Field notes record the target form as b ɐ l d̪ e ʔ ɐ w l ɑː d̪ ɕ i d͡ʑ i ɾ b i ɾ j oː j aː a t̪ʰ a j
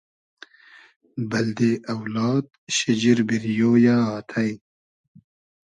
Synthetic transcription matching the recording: b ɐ l d̪ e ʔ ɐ w l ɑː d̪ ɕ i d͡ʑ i ɾ b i ɾ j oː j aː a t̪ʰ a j